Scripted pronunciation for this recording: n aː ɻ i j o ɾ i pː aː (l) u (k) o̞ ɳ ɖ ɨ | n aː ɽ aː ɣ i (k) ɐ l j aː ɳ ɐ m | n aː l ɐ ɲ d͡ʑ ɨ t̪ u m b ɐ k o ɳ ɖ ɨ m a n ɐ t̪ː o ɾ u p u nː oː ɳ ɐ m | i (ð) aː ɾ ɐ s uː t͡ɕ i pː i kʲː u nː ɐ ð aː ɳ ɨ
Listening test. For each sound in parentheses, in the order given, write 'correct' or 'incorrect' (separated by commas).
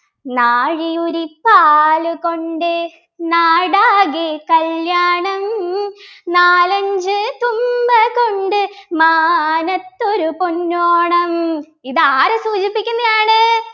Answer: correct, correct, correct, correct